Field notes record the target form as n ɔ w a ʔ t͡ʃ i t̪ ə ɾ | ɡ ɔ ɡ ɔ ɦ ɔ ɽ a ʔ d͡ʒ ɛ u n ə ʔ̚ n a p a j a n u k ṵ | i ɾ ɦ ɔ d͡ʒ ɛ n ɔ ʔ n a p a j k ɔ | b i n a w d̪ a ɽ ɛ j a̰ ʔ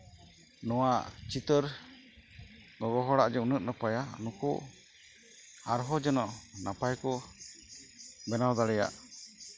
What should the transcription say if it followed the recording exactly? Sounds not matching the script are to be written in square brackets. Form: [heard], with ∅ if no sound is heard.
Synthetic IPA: n ɔ w a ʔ t͡ʃ i t̪ ə ɾ | ɡ ɔ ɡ ɔ ɦ ɔ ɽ a ʔ d͡ʒ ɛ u n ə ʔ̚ n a p a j a n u k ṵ | [a] ɾ ɦ ɔ d͡ʒ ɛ n ɔ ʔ n a p a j k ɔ | b [ɛ] n a w d̪ a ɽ ɛ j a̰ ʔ

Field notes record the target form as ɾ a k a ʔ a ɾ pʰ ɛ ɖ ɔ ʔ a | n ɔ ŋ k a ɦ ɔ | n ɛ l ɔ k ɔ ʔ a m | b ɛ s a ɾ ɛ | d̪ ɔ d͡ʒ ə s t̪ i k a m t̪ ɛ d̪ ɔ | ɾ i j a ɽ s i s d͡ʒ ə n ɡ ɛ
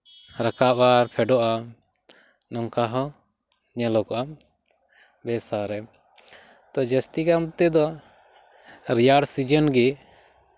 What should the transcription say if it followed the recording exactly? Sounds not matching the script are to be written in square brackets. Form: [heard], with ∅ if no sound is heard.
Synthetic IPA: ɾ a k a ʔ a ɾ pʰ ɛ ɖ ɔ ʔ a | n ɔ ŋ k a ɦ ɔ | [ɲ] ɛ l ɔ k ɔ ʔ a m | b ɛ s a ɾ ɛ | [t̪] ɔ d͡ʒ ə s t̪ i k a m t̪ ɛ d̪ ɔ | ɾ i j a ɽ s i [∅] d͡ʒ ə n ɡ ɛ

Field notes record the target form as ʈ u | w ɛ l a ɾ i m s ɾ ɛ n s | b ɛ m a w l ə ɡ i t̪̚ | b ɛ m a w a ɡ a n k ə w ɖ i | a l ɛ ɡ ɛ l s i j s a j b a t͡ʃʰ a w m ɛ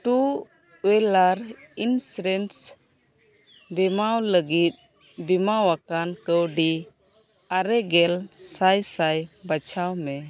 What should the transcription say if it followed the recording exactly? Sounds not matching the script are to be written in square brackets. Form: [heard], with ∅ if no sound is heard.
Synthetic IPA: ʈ u | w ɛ l a ɾ i [n] s ɾ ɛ n s | b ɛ m a w l ə ɡ i t̪̚ | b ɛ m a w a [k] a n k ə w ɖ i | a [ɾ] ɛ ɡ ɛ l s [a] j s a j b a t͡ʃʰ a w m ɛ

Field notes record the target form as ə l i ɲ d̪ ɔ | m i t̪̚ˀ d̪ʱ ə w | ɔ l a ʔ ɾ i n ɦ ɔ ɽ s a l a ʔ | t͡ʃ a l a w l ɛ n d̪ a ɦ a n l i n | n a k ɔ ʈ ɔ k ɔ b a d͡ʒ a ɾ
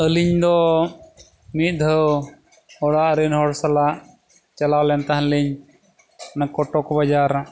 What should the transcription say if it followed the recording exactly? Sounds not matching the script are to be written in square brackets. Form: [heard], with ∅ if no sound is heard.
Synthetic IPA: ə l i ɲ d̪ ɔ | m i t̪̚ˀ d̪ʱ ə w | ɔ [ɽ] a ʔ ɾ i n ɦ ɔ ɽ s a l a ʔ | t͡ʃ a l a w l ɛ n [t̪] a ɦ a n l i [ɲ] | n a k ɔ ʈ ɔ k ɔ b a d͡ʒ a ɾ

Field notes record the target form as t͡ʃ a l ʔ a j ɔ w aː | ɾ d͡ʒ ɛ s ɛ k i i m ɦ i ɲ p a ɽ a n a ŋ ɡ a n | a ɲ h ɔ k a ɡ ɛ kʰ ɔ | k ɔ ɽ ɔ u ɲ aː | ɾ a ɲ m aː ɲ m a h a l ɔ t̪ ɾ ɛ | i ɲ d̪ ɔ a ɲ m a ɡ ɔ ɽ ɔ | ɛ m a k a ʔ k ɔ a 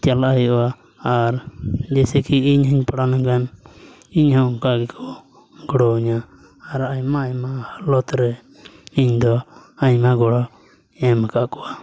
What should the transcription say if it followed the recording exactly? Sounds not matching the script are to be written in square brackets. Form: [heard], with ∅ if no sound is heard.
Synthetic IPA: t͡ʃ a l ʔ a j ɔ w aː | ɾ d͡ʒ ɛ s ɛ k i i [ɲ] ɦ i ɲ p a ɽ a n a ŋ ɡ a n | [i] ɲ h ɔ k a ɡ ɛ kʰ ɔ | [ɡ] ɔ ɽ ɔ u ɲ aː | ɾ a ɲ m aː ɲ m a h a l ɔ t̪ ɾ ɛ | i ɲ d̪ ɔ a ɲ m a ɡ ɔ ɽ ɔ | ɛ m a k a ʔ k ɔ a

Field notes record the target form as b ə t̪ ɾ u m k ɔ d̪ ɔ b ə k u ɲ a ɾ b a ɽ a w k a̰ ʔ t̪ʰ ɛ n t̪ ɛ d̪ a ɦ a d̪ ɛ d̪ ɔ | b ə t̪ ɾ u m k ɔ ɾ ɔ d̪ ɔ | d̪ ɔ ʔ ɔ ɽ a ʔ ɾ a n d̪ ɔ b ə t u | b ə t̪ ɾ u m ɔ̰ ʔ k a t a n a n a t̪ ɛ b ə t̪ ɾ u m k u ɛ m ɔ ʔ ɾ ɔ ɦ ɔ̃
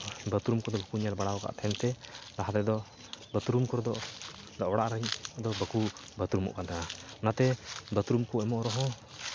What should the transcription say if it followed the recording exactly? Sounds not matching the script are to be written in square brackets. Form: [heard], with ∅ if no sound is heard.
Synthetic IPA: b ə t̪ ɾ u m k ɔ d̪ ɔ b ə k u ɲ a [l] b a ɽ a w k a̰ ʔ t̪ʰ ɛ n t̪ ɛ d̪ a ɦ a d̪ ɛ d̪ ɔ | b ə t̪ ɾ u m k ɔ ɾ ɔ d̪ ɔ | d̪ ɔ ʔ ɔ ɽ a ʔ ɾ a [ɲ] d̪ ɔ b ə [k] u | b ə t̪ ɾ u m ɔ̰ ʔ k a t a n a n a t̪ ɛ b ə t̪ ɾ u m k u ɛ m ɔ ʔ ɾ ɔ ɦ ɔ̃

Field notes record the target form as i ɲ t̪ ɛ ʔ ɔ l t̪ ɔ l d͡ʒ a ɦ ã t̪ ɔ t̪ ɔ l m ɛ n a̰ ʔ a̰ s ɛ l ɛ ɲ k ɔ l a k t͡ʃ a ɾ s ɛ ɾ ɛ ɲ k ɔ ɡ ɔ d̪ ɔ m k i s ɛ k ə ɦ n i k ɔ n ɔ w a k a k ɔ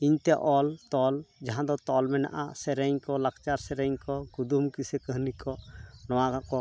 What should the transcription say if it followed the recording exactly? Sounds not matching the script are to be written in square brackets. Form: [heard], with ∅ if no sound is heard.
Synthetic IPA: i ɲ t̪ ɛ ʔ ɔ l t̪ ɔ l d͡ʒ a ɦ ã [d̪] ɔ t̪ ɔ l m ɛ n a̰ ʔ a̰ s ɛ [ɾ] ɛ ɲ k ɔ l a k t͡ʃ a ɾ s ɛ ɾ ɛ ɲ k ɔ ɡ [u] d̪ [u] m k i s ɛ k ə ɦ n i k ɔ n ɔ w a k a k ɔ

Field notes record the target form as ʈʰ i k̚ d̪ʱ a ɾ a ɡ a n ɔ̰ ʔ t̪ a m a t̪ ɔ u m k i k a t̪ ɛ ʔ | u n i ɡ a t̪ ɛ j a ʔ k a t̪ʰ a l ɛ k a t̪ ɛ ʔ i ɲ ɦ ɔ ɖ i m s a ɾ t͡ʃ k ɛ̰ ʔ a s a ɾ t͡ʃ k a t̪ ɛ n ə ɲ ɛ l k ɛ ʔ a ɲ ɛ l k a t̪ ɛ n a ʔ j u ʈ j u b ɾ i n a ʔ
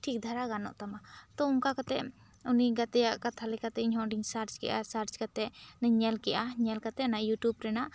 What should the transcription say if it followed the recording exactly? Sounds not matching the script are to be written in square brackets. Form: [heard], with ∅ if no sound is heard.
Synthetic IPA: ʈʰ i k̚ d̪ʱ a ɾ a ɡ a n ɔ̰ ʔ t̪ a m a t̪ ɔ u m k [a] k a t̪ ɛ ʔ | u n i ɡ a t̪ ɛ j a ʔ k a t̪ʰ a l ɛ k a t̪ ɛ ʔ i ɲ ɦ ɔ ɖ i [ŋ] s a ɾ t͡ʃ k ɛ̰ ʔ a s a ɾ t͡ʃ k a t̪ ɛ n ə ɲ ɛ l k ɛ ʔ a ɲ ɛ l k a t̪ ɛ n a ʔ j u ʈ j u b ɾ [ɛ] n a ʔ

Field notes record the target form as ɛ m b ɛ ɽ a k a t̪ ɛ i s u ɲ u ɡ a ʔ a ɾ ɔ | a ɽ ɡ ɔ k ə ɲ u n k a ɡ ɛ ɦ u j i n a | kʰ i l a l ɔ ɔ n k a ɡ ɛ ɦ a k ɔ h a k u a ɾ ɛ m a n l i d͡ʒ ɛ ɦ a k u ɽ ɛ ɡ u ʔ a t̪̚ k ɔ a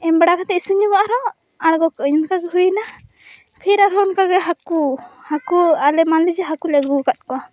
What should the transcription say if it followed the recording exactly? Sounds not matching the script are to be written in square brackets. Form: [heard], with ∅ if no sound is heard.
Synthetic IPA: ɛ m b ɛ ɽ a k a t̪ ɛ i s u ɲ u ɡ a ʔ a ɾ ɔ | a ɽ ɡ ɔ k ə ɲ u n k a ɡ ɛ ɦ u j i n a | [pʰ] i [ɾ] a [ɾ] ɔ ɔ n k a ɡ ɛ ɦ a k [u] h a k u a [l] ɛ m a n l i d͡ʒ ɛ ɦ a k u [l] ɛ ɡ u [k] a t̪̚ k ɔ a

